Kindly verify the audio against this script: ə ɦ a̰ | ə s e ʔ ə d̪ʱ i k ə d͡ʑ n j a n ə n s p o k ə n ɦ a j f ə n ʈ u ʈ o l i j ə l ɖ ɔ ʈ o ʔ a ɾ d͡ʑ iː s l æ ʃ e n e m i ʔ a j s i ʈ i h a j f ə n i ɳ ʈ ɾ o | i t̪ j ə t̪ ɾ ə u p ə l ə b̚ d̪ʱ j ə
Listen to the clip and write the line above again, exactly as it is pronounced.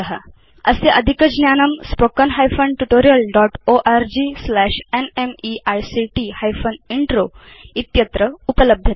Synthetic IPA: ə ɦ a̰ | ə s e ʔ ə d̪ʱ i k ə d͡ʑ n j a n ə m s p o k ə n ɦ a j f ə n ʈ u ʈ o ɾ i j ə l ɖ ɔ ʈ o ʔ a ɾ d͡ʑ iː s l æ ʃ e n e m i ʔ a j s i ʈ i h a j f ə n i ɳ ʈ ɾ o | i t̪ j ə t̪ ɾ ə u p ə l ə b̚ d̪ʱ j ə